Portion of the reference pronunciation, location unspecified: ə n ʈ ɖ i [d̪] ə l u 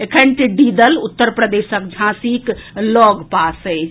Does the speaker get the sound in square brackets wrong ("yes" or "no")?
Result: no